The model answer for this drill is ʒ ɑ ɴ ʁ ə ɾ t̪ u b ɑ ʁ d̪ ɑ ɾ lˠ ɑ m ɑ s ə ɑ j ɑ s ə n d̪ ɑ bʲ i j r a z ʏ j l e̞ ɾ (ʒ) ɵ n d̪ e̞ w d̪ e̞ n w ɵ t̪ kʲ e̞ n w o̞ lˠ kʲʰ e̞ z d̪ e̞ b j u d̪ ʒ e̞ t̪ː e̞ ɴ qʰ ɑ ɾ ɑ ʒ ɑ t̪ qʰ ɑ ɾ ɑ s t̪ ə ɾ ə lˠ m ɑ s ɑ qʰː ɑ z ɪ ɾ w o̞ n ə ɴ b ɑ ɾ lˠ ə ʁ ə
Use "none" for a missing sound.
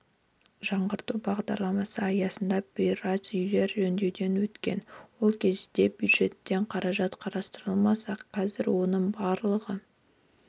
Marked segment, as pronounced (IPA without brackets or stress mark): ʒ